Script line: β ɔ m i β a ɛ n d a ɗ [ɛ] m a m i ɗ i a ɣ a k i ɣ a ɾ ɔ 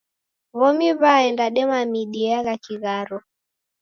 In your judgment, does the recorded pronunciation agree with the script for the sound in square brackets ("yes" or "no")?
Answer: yes